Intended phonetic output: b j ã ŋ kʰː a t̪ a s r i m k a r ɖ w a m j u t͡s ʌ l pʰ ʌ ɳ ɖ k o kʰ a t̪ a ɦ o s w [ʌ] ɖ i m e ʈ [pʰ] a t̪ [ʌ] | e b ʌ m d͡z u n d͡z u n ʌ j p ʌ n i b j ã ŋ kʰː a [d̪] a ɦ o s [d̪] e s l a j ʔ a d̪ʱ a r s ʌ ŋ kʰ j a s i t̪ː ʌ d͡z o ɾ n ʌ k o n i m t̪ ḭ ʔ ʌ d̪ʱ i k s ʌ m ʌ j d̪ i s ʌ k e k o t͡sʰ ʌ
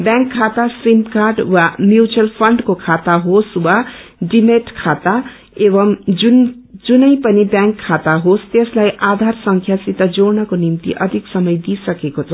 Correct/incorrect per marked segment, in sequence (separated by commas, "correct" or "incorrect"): incorrect, incorrect, incorrect, incorrect, incorrect